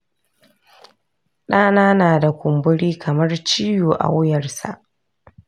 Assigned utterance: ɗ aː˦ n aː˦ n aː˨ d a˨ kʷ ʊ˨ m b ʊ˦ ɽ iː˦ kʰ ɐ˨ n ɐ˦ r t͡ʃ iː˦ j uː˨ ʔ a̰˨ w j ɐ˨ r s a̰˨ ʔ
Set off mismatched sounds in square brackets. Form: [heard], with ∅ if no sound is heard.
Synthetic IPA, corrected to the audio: ɗ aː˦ n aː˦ n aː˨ d a˨ kʷ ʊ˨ m b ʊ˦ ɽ iː˦ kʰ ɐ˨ [m] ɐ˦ r t͡ʃ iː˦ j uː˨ ʔ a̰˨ w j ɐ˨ r s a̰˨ ʔ

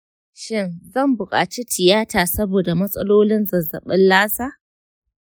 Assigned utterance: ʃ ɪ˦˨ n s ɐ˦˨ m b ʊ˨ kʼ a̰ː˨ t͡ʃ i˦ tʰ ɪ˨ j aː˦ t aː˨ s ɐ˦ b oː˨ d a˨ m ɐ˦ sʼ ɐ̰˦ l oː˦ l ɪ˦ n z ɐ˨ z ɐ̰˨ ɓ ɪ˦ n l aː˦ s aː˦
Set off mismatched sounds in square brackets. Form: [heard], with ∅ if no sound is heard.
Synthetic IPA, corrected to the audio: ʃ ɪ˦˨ n [z] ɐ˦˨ m b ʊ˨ kʼ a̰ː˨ t͡ʃ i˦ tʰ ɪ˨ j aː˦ t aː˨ s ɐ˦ b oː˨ d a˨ m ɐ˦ sʼ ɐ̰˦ l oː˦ l ɪ˦ n z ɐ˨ z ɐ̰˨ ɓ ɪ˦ n l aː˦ s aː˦

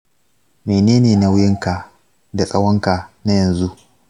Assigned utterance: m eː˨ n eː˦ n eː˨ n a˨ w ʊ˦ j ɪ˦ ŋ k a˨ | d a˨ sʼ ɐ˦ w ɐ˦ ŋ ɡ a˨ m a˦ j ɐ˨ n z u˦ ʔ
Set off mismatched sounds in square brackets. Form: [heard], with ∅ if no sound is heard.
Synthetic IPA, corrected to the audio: m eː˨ n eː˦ n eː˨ n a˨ w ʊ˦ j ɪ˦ ŋ k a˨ | d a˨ sʼ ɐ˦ w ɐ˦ ŋ [k] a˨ [n] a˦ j ɐ˨ n z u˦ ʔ

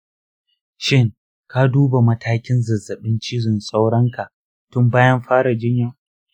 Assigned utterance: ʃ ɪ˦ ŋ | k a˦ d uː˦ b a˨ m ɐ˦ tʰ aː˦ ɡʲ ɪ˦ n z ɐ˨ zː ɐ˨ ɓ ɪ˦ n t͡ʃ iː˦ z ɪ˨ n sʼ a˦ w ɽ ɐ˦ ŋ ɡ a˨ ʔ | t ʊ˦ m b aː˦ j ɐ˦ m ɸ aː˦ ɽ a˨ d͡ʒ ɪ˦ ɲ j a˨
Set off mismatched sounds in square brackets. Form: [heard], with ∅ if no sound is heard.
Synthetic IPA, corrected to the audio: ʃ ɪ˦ ŋ | k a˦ d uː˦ b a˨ m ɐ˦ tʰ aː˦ [kʲ] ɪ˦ n z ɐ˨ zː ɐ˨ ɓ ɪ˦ n t͡ʃ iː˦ z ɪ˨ n sʼ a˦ w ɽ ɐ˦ ŋ [k] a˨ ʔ | t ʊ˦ m b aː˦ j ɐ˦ m ɸ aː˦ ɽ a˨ d͡ʒ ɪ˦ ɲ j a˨

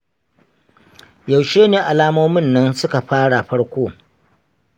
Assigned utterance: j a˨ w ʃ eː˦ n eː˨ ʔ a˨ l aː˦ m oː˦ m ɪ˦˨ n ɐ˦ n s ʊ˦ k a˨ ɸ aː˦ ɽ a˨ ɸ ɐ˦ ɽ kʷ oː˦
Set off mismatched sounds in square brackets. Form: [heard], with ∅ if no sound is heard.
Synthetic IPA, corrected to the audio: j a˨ w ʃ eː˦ n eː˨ ʔ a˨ l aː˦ m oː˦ m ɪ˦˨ [nː] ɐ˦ n s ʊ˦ k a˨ ɸ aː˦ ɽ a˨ ɸ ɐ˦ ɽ kʷ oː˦

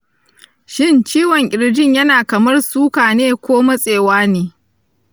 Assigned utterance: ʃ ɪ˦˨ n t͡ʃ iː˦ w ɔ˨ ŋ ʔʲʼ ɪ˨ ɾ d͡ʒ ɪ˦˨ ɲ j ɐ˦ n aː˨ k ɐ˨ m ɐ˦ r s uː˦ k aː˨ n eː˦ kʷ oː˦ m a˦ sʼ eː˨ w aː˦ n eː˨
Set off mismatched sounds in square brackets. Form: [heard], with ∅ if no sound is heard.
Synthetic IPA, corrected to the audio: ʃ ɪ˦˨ n t͡ʃ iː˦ w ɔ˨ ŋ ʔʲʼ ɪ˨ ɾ d͡ʒ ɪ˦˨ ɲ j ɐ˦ n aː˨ k ɐ˨ m ɐ˦ r s uː˦ k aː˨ n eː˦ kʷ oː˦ m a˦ sʼ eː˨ w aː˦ n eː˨

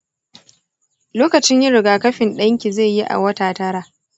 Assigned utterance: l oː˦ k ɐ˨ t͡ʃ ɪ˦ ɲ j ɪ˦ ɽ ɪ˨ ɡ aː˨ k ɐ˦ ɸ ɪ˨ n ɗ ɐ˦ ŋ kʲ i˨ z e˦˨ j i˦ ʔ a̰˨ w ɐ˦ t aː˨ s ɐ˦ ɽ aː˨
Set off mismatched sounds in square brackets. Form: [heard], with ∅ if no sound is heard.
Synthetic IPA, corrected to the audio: l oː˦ k ɐ˨ t͡ʃ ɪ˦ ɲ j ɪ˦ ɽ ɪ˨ ɡ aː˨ k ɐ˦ ɸ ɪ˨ n ɗ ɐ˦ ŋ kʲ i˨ z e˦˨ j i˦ ʔ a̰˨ w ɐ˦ t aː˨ [t] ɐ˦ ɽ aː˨

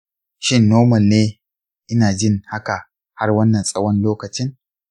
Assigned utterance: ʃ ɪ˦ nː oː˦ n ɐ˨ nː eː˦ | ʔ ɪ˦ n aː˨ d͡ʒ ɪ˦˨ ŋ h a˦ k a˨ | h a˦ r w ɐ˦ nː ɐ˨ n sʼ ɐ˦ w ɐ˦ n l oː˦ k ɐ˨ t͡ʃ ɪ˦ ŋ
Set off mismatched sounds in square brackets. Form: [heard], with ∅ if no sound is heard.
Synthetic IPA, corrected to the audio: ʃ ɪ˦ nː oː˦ [m] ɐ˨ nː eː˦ | ʔ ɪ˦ n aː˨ d͡ʒ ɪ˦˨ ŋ h a˦ k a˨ | h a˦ r w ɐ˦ nː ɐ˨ n sʼ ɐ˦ w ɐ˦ n l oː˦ k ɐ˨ t͡ʃ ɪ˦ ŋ

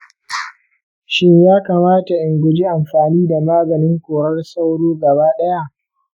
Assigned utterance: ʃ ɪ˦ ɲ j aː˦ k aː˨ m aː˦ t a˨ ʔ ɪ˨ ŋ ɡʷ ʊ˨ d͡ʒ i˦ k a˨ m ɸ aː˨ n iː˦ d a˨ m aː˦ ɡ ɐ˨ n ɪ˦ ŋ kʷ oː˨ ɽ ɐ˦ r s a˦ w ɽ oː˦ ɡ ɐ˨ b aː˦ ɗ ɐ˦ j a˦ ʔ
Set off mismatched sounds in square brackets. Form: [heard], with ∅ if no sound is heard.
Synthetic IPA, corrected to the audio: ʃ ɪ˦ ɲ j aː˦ k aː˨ m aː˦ t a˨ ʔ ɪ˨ ŋ ɡʷ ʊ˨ d͡ʒ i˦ [ʔ] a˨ m ɸ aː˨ n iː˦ d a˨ m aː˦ ɡ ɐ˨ n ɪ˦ ŋ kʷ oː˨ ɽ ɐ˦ r s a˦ w ɽ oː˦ ɡ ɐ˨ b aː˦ ɗ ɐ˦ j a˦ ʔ

